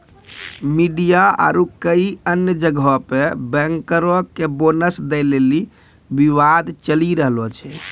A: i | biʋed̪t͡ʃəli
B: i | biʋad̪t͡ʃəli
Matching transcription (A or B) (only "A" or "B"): B